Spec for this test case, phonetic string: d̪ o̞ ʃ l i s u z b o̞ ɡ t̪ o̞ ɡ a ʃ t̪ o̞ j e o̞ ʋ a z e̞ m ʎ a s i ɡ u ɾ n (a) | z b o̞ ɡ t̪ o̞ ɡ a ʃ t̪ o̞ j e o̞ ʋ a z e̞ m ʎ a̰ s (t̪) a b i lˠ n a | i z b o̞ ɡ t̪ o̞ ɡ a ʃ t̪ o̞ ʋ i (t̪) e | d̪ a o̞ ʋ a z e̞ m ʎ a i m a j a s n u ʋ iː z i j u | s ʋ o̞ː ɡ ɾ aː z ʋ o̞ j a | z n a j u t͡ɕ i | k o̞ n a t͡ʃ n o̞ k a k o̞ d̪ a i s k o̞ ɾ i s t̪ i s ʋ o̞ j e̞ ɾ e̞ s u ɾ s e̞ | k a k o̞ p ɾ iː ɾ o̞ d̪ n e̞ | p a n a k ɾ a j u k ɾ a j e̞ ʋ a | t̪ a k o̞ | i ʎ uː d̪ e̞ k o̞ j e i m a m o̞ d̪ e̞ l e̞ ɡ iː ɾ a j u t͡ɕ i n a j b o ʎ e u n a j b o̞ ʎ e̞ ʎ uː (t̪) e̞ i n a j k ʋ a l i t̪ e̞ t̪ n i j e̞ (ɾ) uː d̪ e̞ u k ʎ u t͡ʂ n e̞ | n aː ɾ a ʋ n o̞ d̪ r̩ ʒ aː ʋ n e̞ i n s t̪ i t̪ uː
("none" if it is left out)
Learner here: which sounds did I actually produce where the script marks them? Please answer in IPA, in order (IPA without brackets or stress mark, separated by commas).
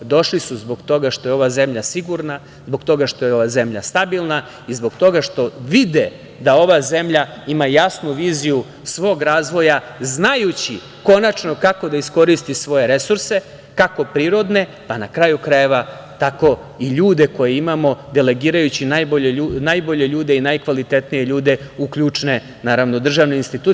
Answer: a, t̪, d̪, d̪, ʎ